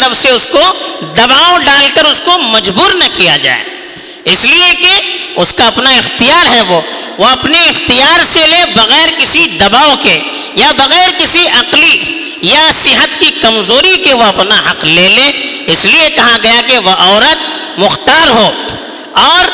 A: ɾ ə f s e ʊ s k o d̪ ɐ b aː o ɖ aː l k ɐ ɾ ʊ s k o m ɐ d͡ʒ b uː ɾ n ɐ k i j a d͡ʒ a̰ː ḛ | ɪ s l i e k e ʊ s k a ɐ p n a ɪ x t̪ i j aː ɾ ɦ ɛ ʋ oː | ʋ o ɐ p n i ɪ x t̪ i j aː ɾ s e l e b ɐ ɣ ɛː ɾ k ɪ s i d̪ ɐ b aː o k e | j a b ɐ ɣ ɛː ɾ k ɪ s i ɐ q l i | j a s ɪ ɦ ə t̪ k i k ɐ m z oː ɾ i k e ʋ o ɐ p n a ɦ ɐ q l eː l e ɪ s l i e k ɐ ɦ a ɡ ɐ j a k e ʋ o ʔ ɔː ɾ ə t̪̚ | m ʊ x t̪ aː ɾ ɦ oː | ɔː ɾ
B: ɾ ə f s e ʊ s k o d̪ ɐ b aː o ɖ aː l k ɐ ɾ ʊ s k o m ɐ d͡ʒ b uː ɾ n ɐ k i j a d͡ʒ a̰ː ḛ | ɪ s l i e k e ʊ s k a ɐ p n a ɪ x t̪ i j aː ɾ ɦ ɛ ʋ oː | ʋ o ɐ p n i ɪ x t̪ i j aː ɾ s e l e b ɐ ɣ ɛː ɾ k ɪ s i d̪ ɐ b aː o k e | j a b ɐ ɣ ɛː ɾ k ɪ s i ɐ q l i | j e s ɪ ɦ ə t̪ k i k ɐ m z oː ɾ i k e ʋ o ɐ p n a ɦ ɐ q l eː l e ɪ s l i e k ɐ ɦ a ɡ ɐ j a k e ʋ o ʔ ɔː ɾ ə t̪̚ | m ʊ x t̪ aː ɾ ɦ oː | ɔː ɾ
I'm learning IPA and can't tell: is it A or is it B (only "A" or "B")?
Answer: A